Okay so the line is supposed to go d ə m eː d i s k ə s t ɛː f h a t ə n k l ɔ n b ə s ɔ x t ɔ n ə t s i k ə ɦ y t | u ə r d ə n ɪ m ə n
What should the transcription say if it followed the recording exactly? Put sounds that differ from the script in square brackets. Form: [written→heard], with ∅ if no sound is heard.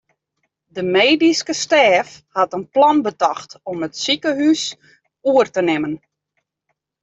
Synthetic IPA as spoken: d ə m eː d i s k ə s t ɛː f h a t ə n [k→p] l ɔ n b ə [s→t] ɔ x t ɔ [n→m] ə t s i k ə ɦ y [t→s] | u ə r [d→t] ə n ɪ m ə n

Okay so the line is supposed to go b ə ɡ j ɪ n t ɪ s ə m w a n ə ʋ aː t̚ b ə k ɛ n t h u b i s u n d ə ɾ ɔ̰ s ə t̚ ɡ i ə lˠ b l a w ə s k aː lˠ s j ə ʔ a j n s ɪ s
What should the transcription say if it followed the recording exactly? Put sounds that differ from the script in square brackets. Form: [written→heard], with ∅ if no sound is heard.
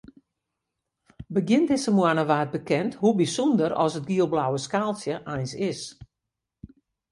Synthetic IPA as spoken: b ə ɡ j ɪ n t ɪ s ə m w a n ə ʋ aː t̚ b ə k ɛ n t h u b i s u n d ə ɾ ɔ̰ s ə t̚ ɡ i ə lˠ b l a w ə s k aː lˠ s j ə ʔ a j n s ɪ s

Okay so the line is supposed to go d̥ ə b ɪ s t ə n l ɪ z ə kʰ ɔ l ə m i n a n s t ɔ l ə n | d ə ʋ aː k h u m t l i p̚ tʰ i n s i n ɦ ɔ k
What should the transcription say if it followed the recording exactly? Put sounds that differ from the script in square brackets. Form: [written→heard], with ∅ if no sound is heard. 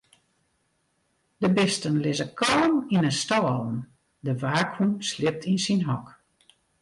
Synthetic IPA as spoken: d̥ ə b ɪ s t ə n l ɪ z ə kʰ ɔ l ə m i n [a→ə] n s t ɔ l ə n | d ə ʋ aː k h u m [t→s] l [i→ɪ] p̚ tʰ i n s i n ɦ ɔ k

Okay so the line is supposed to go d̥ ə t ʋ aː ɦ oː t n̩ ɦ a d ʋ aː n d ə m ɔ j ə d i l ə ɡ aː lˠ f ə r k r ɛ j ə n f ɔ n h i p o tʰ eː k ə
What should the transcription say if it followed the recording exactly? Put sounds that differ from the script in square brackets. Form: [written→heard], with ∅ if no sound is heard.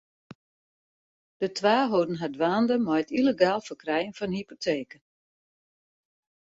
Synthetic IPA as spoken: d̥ ə t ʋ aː ɦ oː [t→d] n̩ ɦ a d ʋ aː n d ə m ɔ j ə [d→t] i l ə ɡ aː lˠ f ə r k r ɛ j ə n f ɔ n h i p o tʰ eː k ə

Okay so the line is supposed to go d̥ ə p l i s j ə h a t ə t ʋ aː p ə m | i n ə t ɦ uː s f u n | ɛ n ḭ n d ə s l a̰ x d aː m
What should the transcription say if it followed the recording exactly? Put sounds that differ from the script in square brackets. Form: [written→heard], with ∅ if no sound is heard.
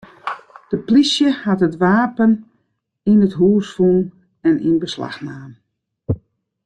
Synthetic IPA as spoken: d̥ ə p l i s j ə h a t ə t ʋ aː p ə [m→n] | i n ə t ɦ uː s f u n | ɛ n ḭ n [d→b] ə s l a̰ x [d→n] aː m

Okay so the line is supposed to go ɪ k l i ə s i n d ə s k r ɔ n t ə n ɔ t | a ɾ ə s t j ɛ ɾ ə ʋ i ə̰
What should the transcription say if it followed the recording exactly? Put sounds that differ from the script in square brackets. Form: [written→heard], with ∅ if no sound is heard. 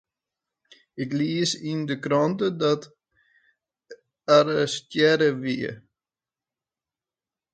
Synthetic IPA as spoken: ɪ k l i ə s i n d ə [s→∅] k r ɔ n t ə [n→d] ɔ t | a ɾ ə s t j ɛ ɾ ə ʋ i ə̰

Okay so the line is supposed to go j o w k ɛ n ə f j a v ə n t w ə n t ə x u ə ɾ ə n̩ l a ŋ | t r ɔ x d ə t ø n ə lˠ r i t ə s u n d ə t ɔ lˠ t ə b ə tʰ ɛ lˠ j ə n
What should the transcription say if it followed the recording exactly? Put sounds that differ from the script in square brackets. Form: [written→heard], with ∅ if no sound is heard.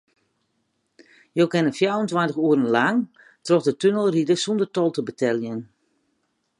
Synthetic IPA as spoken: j o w k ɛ n ə f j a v ə n t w [ə→a] n t ə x u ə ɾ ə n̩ l a ŋ | t r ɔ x d ə t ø n ə lˠ r i [t→d] ə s u n d ə t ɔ lˠ t ə b ə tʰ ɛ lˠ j ə n

